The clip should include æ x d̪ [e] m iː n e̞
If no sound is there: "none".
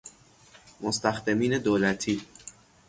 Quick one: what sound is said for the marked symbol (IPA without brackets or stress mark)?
e